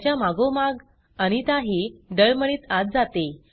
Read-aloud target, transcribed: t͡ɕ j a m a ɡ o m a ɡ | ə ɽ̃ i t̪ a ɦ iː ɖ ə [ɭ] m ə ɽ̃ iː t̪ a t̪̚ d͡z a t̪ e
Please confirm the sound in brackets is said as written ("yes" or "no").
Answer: yes